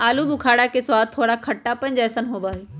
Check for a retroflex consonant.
present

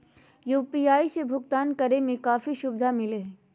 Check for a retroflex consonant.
absent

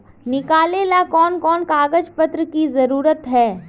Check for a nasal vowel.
absent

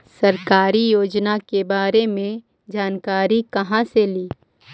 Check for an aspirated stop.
absent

